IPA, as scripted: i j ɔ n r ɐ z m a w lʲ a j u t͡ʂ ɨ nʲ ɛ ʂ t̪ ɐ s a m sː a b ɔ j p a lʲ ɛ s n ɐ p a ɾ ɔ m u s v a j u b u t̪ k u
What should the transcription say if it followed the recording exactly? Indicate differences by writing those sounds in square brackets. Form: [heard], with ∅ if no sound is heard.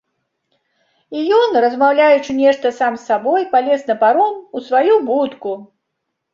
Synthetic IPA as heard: i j ɔ n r ɐ z m a w lʲ a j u t͡ʂ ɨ nʲ ɛ ʂ t̪ ɐ s a m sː a b ɔ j p a lʲ ɛ s n ɐ p a ɾ ɔ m u s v a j u b u t̪ k u